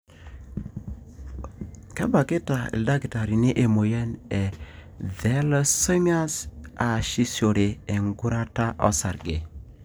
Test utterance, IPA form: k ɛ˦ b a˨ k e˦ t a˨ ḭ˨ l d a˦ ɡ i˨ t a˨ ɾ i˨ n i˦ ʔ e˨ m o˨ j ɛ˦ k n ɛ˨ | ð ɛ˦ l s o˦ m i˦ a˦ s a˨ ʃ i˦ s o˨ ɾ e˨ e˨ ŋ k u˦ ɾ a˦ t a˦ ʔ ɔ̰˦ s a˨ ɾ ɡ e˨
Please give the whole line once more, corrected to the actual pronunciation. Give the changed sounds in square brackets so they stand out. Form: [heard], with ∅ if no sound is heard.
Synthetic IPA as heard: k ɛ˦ b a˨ k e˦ t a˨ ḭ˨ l d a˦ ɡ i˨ t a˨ ɾ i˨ n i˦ ʔ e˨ m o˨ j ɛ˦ [∅] n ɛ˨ | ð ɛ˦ l s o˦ m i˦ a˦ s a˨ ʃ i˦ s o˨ ɾ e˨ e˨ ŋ [ɡ] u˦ ɾ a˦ t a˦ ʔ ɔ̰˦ s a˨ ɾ ɡ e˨